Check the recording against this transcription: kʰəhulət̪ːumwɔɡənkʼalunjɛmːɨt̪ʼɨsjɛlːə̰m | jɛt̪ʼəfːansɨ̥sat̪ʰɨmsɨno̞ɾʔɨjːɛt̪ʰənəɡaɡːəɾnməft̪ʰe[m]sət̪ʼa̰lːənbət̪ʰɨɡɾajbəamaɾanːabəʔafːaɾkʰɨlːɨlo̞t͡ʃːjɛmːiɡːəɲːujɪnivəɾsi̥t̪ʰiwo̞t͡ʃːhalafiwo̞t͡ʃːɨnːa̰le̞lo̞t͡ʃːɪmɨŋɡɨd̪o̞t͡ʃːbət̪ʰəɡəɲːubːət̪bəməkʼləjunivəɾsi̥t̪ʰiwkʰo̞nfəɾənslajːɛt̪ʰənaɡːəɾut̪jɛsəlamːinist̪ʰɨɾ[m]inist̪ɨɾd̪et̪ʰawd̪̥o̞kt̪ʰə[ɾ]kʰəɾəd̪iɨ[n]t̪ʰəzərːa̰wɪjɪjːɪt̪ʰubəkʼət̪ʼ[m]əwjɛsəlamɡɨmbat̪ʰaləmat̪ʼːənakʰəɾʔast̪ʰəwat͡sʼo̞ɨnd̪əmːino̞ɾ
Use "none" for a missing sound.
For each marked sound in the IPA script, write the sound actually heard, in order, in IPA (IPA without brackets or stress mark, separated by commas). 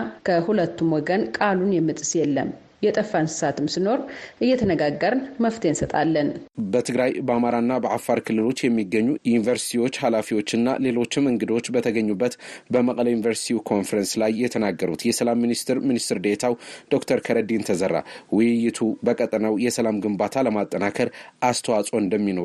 n, m, ɾ, n, n